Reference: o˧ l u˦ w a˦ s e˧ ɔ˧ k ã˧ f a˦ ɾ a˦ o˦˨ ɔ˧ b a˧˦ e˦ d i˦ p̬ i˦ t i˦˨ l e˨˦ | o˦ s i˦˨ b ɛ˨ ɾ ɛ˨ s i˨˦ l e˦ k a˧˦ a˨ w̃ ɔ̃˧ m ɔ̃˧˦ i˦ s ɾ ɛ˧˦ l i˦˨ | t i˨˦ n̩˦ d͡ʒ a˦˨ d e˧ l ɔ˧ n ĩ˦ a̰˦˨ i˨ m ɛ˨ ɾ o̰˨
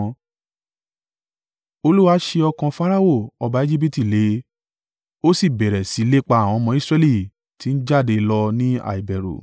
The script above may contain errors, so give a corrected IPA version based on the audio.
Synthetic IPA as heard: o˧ l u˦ w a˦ ʃ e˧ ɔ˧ k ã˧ f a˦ ɾ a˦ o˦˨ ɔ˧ b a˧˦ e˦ d͡ʒ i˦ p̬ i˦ t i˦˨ l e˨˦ | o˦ s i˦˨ b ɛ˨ ɾ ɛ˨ s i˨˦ l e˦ k͡p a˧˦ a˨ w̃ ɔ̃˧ m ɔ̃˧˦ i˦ s ɾ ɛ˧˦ l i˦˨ | t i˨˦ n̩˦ d͡ʒ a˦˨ d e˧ l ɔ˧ n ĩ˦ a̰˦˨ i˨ b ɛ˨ ɾ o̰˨

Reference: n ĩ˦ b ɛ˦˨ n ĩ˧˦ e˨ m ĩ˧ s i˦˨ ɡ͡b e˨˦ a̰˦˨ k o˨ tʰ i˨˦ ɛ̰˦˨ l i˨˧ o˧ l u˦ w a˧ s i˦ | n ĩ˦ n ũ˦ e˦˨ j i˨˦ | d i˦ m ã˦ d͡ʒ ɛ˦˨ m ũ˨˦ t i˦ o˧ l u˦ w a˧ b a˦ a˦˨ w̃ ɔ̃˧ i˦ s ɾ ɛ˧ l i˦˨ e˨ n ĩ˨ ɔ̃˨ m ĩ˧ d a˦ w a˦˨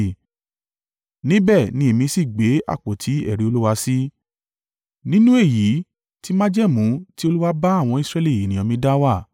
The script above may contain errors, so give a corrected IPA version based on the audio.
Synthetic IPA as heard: n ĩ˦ b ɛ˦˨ n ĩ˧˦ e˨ m ĩ˧ s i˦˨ ɡ͡b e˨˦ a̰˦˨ k͡p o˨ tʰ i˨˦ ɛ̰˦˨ ɾ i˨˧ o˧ l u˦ w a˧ s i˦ | n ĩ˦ n ũ˦ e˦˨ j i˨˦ | t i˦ m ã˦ d͡ʒ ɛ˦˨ m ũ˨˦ t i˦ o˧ l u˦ w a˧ b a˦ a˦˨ w̃ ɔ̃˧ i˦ s ɾ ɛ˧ l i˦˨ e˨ n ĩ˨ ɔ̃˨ m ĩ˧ d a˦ w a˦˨

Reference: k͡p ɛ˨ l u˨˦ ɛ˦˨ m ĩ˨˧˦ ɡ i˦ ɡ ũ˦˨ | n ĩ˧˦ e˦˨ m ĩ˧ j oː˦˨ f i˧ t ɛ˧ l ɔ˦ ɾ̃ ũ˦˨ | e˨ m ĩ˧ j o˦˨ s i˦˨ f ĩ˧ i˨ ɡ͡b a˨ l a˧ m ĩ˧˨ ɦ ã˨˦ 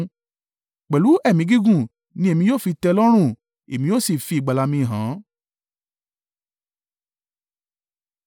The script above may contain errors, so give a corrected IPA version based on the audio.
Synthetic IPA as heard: k͡p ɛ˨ l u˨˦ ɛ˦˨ m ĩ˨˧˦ ɡ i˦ ɡ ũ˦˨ | n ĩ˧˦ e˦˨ m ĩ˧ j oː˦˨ f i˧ t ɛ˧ l ɔ˦ ɾ̃ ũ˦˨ | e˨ m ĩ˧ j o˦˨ s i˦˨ f i˧ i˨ ɡ͡b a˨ l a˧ m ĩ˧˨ ɦ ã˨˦

